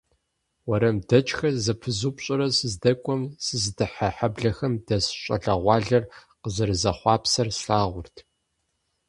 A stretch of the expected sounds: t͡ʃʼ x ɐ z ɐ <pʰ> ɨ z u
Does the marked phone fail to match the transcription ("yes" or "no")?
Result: no